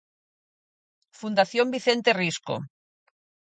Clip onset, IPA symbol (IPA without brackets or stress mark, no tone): f